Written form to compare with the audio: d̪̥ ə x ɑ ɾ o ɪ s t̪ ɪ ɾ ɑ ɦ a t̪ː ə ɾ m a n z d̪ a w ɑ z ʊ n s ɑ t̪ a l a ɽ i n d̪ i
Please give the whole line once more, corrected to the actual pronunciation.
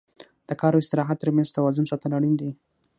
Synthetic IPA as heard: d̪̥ ə k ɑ ɾ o ɪ s t̪ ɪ ɾ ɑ ɦ a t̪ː ə ɾ m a n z t̪ a w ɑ z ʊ n s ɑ t̪ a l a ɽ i n d̪ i